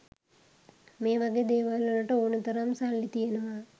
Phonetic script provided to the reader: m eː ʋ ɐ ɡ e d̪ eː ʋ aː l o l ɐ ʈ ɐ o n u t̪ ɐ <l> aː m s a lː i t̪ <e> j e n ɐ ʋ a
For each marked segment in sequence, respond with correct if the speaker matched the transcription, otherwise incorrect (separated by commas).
incorrect, incorrect